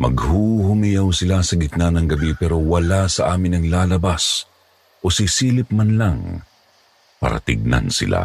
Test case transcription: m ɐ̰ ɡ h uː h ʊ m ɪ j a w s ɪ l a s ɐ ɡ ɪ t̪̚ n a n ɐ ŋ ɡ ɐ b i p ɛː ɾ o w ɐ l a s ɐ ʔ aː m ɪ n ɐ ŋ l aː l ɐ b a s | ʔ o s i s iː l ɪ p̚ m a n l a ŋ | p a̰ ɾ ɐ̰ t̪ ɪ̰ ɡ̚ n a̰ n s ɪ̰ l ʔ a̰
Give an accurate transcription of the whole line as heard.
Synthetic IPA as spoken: m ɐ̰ ɡ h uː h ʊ m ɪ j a w s ɪ l a s ɐ ɡ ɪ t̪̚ n a n ɐ ŋ ɡ ɐ b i p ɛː ɾ o w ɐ l a s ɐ ʔ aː m ɪ n ɐ ŋ l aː l ɐ b a s | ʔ o s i s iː l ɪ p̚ m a n l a ŋ | p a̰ ɾ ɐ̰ t̪ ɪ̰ ɡ̚ n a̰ n s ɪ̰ l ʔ a̰